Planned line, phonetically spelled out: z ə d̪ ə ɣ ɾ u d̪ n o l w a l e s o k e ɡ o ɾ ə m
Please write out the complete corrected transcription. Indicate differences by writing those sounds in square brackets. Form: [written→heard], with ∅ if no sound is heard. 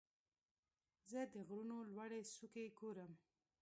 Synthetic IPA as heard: z ə d̪ ə ɣ ɾ u [d̪→∅] n o l w a [l→ɽ] e s [o→u] k e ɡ o ɾ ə m